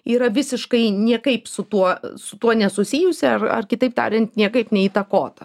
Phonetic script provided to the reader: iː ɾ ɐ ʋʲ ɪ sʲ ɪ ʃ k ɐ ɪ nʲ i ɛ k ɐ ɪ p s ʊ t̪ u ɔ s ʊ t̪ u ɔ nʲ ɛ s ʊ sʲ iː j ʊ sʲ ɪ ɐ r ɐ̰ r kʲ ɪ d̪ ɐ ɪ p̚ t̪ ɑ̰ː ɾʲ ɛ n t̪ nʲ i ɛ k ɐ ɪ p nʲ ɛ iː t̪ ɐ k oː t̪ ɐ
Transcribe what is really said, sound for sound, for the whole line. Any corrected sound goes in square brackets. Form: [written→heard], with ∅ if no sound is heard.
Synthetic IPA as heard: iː ɾ ɐ ʋʲ ɪ sʲ ɪ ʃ k ɐ ɪ nʲ i ɛ k ɐ ɪ p s ʊ t̪ u ɔ s ʊ t̪ u ɔ nʲ ɛ s ʊ sʲ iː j ʊ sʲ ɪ ɐ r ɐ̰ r kʲ ɪ [d̪→t̪] ɐ ɪ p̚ t̪ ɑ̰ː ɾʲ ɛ n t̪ nʲ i ɛ k ɐ ɪ p nʲ ɛ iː t̪ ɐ k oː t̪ ɐ